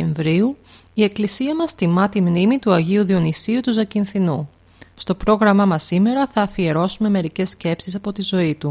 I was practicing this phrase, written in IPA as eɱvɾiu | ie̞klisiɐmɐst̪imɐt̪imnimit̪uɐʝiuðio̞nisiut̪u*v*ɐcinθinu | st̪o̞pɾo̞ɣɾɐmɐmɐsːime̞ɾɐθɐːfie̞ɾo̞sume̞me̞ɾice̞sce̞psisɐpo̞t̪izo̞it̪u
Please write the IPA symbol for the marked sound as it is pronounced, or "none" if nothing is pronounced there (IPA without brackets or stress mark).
z